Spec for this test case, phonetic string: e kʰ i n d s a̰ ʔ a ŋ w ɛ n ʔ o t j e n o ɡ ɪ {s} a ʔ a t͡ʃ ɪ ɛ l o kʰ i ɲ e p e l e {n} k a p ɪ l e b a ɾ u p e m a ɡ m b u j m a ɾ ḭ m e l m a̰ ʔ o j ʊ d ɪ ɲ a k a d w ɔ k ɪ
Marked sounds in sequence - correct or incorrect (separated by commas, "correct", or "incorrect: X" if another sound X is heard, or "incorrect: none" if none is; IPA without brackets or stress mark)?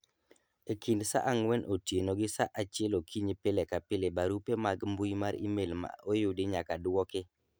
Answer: correct, incorrect: none